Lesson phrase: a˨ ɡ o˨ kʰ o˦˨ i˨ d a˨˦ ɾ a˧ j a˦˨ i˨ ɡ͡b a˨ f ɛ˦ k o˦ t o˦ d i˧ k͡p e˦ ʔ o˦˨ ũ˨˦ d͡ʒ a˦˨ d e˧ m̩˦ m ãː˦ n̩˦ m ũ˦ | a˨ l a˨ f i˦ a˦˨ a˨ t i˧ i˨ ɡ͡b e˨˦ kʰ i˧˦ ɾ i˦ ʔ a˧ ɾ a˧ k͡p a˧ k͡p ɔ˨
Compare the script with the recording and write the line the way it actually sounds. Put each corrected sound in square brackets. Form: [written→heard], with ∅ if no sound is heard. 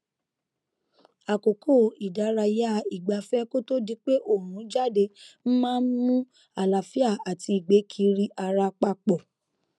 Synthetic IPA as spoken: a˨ [ɡ→k] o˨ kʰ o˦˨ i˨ d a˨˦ ɾ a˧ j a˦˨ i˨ ɡ͡b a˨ f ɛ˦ k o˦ t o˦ d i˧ k͡p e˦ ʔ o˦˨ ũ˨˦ d͡ʒ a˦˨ d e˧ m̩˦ m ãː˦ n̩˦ m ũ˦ | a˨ l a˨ f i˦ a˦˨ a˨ t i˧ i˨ ɡ͡b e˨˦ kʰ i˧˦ ɾ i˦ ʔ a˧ ɾ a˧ k͡p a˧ k͡p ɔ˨

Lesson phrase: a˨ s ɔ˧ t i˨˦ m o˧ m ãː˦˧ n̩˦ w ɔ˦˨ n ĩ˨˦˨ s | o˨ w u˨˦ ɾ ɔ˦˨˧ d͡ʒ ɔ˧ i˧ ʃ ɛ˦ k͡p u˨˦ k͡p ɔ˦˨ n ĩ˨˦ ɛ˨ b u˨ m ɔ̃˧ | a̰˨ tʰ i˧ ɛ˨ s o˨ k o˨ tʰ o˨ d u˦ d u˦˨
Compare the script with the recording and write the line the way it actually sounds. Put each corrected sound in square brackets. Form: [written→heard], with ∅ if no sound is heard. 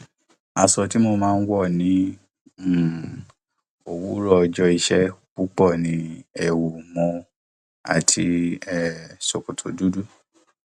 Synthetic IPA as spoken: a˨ s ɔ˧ t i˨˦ m o˧ m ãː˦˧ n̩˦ w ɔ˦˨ n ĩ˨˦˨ [s→∅] | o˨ w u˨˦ ɾ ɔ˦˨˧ d͡ʒ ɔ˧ i˧ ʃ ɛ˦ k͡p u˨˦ k͡p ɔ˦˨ n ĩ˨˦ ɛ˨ [b→w] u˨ m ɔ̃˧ | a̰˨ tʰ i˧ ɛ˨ s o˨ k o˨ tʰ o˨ d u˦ d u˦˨

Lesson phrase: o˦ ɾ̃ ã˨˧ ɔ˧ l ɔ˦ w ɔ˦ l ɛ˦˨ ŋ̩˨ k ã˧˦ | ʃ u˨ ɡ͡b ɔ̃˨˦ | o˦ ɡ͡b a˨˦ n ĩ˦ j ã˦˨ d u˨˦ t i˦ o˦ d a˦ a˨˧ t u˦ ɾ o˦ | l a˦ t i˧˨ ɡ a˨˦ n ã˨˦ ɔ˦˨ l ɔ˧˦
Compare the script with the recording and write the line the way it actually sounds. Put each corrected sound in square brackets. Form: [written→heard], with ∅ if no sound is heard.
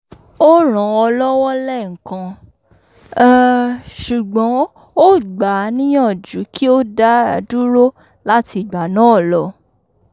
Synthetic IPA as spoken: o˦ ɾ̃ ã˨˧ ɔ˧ l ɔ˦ w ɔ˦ l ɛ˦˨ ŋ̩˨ k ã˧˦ | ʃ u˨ ɡ͡b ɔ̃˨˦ | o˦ ɡ͡b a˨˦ n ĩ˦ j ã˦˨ [d→d͡ʒ] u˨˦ [t→k] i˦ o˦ d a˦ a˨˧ [t→d] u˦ ɾ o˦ | l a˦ t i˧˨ [ɡ→ɡ͡b] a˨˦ n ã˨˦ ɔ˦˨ l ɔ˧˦

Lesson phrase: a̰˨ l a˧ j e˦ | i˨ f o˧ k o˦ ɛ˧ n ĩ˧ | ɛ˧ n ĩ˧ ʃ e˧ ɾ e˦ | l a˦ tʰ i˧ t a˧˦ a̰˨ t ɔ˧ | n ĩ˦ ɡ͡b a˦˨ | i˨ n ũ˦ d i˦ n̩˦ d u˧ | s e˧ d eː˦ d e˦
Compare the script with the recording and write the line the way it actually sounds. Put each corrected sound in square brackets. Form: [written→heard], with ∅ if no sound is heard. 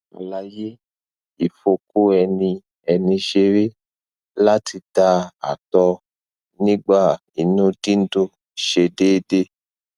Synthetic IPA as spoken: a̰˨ l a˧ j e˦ | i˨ f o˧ k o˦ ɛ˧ n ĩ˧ | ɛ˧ n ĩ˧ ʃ e˧ ɾ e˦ | l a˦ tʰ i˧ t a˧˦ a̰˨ t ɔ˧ | n ĩ˦ ɡ͡b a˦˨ | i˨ n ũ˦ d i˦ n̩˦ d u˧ | [s→ʃ] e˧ d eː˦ d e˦

